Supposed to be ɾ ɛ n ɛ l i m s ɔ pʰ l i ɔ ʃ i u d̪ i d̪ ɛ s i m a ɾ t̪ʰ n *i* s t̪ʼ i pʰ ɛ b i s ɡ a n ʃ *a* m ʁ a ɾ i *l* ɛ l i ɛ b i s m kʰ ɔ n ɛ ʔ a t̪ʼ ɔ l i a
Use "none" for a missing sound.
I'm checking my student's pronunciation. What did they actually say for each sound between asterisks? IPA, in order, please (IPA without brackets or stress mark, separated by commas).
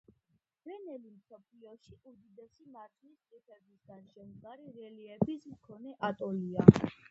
i, ɛ, ɾ